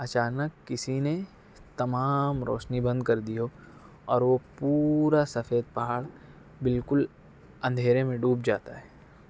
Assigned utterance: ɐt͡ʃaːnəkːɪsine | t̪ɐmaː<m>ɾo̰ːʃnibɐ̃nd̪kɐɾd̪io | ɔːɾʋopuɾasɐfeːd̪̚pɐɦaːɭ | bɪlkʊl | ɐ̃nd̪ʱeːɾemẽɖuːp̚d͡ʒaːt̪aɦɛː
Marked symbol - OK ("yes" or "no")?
yes